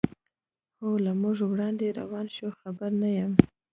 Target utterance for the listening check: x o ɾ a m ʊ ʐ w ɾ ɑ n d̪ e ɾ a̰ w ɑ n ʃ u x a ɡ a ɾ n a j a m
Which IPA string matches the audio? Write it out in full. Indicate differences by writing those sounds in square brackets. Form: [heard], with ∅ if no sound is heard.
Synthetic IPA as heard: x o [l] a m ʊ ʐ w [ɽ] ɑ n d̪ e ɾ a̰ w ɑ n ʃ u x a [b] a ɾ n a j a m